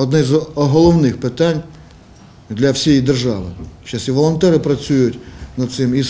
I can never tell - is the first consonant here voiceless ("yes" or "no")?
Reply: no